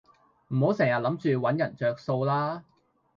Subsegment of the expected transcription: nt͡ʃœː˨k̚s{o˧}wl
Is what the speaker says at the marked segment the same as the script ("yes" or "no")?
yes